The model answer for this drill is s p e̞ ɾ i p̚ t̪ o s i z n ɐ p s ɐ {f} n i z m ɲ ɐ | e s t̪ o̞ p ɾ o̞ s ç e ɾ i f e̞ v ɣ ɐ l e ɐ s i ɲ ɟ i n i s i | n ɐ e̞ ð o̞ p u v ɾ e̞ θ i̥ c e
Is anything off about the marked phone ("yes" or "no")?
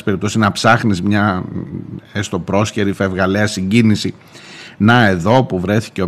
yes